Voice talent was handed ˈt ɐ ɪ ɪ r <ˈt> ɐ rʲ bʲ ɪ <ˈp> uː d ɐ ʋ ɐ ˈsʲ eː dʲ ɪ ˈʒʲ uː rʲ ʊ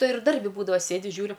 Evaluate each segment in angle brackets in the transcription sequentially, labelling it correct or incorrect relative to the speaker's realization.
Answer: incorrect: d, incorrect: b

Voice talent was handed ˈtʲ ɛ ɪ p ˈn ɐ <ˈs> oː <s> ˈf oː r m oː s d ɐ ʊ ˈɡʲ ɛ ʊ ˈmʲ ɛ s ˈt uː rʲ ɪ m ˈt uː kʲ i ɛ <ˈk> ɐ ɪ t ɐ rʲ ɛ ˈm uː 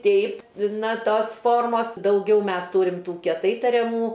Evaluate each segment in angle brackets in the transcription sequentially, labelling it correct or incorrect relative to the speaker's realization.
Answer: incorrect: t, correct, incorrect: t

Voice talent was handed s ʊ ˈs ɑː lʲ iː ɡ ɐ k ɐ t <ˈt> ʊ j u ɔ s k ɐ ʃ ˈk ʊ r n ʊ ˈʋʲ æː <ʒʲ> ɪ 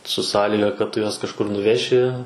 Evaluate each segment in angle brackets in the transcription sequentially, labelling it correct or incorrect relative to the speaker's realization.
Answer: correct, incorrect: ʃʲ

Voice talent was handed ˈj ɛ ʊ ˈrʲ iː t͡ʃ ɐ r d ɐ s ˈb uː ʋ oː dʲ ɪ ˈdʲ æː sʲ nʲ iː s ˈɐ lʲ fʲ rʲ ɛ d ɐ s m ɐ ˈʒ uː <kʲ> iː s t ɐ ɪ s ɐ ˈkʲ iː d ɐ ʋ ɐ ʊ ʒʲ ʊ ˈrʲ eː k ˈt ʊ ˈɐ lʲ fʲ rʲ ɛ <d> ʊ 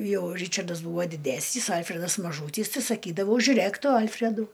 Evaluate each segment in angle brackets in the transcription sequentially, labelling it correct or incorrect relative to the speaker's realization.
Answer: incorrect: tʲ, correct

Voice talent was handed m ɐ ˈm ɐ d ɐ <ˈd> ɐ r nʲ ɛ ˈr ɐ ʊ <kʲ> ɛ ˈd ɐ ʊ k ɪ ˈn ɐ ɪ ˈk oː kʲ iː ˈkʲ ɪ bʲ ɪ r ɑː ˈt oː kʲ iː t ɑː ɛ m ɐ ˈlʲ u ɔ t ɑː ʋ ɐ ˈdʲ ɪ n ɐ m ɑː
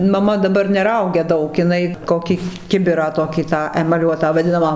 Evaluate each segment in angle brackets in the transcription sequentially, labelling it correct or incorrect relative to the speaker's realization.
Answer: incorrect: b, incorrect: ɡʲ

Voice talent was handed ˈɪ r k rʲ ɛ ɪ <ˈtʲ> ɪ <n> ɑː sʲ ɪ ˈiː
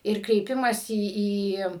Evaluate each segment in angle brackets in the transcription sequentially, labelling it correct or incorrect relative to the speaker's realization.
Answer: incorrect: pʲ, incorrect: m

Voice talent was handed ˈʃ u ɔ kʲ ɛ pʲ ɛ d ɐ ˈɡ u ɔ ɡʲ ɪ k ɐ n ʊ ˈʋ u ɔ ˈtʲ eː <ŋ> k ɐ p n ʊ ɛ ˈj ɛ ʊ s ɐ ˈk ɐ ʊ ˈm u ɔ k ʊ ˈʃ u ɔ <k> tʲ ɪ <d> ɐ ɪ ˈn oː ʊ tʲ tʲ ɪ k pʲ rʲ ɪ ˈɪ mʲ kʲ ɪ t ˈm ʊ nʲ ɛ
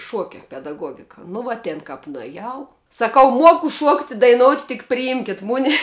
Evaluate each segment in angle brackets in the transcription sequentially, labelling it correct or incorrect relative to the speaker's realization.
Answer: incorrect: n, correct, correct

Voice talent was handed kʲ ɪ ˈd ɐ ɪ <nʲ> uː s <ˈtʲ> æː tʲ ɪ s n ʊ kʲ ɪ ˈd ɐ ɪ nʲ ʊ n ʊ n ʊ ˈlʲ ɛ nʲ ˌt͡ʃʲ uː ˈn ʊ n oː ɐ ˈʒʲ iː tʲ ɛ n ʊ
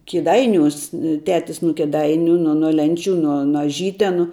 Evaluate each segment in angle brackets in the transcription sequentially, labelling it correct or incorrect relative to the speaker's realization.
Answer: correct, correct

